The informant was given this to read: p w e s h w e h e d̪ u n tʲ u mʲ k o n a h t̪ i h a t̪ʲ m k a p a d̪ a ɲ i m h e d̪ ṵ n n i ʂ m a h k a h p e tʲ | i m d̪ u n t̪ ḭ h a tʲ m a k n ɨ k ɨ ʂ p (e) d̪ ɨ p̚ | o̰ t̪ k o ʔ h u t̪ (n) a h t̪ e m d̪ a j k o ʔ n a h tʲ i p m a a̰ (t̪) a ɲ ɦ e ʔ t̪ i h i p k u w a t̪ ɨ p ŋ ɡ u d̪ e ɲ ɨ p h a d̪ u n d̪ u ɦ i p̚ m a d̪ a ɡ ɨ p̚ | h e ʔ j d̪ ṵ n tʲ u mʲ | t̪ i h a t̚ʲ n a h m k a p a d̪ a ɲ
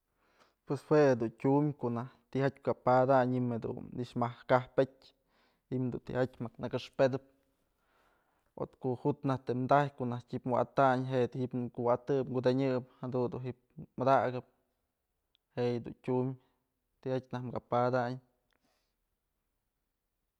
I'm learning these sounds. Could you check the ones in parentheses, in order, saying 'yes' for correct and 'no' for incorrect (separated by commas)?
yes, yes, yes